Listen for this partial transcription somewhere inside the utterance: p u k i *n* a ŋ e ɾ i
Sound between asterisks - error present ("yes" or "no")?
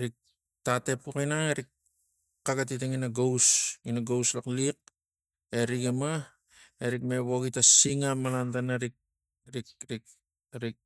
no